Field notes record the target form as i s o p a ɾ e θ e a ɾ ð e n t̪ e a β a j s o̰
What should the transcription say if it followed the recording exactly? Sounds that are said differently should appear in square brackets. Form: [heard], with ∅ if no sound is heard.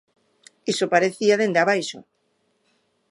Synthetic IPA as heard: i s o p a ɾ e θ [i] a [∅] ð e n [d̪] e a β a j [ʃ] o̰